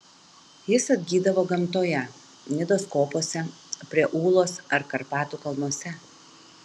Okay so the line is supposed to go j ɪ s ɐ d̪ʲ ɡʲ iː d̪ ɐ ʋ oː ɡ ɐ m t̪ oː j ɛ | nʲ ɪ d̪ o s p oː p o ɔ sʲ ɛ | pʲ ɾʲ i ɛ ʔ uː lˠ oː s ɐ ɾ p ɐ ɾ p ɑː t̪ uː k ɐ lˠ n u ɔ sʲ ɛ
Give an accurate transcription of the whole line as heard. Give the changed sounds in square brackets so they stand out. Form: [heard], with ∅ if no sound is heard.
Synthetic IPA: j ɪ s ɐ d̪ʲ ɡʲ iː d̪ ɐ ʋ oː ɡ ɐ m t̪ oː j ɛ | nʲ ɪ d̪ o s [k] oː p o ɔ sʲ ɛ | pʲ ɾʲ i ɛ ʔ uː lˠ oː s ɐ ɾ [k] ɐ ɾ p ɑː t̪ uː k ɐ lˠ n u ɔ sʲ ɛ